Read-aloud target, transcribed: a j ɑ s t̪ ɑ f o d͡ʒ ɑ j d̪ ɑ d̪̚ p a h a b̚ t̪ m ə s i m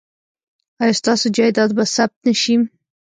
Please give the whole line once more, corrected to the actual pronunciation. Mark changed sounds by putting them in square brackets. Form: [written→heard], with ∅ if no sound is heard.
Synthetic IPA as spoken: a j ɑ s t̪ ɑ [f→s] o d͡ʒ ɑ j d̪ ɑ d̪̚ [p→b] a [h→s] a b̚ t̪ [m→n] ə [s→ʃ] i m